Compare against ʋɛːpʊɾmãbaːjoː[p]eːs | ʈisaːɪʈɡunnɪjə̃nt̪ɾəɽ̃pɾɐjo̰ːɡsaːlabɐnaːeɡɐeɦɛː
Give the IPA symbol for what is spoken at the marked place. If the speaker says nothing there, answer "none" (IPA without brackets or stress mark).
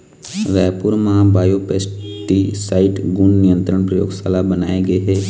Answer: p